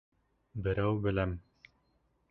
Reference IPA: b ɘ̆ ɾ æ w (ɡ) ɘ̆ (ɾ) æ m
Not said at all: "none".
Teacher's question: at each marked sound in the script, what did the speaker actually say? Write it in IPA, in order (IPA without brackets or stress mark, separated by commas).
b, l